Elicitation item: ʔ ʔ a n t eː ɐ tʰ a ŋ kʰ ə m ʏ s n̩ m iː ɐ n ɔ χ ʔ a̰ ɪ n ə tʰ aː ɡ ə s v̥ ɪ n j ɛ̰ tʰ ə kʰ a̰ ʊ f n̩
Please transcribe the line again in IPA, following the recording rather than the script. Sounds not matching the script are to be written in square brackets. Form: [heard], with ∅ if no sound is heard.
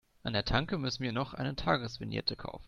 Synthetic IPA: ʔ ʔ a n [d] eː ɐ tʰ a ŋ [k] ə m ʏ s n̩ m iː ɐ n ɔ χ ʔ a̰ ɪ n ə tʰ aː ɡ ə s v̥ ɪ n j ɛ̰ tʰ ə kʰ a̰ ʊ f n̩